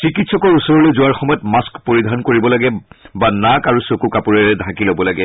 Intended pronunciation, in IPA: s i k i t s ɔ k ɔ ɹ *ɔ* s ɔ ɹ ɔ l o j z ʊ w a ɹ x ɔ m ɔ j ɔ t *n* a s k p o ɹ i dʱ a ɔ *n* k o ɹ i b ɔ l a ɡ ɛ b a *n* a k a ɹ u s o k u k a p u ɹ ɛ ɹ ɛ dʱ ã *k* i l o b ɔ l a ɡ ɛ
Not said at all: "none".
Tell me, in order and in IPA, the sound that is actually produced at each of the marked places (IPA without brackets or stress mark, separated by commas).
u, m, n, n, k